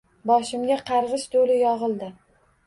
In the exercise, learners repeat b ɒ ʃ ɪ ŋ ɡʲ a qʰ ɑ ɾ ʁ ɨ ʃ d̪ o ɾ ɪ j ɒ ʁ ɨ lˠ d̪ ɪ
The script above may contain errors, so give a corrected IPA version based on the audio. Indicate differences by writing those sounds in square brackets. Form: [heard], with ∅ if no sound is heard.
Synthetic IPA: b ɒ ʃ ɪ [m] ɡʲ a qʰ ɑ ɾ ʁ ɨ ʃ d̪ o [l] ɪ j ɒ ʁ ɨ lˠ d̪ ɪ